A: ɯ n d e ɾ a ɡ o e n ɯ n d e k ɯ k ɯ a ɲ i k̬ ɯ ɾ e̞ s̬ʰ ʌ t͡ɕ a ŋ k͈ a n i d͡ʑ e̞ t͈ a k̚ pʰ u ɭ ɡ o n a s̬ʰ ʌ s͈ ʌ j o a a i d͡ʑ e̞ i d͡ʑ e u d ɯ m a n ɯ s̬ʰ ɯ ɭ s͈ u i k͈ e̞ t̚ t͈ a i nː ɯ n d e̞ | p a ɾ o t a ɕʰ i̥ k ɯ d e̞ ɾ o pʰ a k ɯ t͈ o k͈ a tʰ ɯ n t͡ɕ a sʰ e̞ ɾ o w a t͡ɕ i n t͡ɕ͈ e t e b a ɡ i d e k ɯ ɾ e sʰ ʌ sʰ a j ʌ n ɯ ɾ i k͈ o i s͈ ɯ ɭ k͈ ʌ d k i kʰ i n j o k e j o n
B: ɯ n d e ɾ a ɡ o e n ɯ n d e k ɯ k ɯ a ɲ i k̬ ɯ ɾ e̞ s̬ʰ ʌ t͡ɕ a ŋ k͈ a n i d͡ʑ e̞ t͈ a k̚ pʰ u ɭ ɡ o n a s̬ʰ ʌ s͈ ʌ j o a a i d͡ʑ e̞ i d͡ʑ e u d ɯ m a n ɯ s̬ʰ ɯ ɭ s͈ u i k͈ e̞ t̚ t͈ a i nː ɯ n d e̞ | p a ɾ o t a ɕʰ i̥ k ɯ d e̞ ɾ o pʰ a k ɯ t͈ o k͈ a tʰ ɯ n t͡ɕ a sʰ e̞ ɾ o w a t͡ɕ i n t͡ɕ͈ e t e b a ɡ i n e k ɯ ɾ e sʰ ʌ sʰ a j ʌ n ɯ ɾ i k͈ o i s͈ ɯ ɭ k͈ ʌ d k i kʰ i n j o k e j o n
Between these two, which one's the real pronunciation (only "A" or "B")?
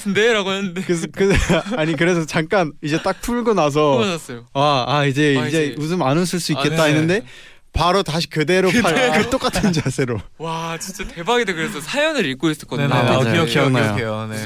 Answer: A